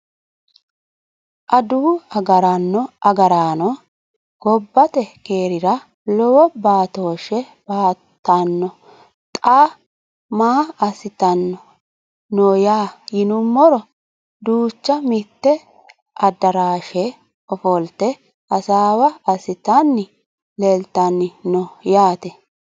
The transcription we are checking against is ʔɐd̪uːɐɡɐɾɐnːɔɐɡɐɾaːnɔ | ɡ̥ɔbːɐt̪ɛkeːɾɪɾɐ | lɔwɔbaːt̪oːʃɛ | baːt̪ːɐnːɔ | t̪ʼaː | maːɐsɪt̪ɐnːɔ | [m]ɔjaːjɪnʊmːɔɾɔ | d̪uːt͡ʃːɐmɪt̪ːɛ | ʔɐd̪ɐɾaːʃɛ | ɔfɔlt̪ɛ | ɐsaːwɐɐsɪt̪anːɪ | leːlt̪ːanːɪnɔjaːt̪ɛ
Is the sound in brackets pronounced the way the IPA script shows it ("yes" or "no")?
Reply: no